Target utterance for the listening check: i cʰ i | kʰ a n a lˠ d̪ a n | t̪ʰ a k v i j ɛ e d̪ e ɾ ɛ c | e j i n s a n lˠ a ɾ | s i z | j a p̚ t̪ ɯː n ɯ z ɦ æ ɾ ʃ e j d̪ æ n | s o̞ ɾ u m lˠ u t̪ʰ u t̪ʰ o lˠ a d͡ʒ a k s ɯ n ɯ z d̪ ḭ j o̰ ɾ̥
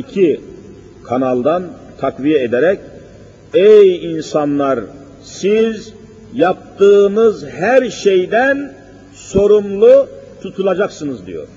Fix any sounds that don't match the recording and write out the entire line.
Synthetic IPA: i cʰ i | kʰ a n a lˠ d̪ a n | t̪ʰ a k v i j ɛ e d̪ e ɾ ɛ c | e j i n s a n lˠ a ɾ | s i z | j a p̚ t̪ ɯː n ɯ z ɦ æ ɾ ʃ e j d̪ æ n | s o̞ ɾ u m lˠ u t̪ʰ u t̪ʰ u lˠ a d͡ʒ a k s ɯ n ɯ z d̪ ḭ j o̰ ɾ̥